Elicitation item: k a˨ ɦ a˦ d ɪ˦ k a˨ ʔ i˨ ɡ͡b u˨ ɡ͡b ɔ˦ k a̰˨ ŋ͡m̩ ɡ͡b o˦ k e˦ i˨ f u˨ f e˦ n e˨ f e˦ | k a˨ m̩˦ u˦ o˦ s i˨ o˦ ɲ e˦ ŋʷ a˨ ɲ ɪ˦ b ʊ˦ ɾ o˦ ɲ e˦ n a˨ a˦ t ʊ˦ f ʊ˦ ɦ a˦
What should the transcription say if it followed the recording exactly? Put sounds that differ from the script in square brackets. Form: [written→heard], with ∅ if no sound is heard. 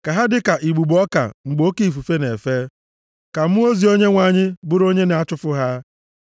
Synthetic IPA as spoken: k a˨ ɦ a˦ d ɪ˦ k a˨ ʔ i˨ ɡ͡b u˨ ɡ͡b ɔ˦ k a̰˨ ŋ͡m̩ ɡ͡b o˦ k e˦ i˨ f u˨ f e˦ n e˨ f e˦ | k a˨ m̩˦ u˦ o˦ [s→z] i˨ o˦ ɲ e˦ ŋʷ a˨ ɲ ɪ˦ b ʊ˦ ɾ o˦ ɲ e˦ n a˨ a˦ [t→t͡ʃ] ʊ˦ f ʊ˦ ɦ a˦